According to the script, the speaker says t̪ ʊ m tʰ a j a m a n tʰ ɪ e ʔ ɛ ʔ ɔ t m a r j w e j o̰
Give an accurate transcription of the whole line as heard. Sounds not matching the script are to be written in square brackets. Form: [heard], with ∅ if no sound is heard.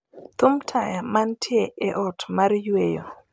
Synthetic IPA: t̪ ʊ m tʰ a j a m a n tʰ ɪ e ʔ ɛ ʔ ɔ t m a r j w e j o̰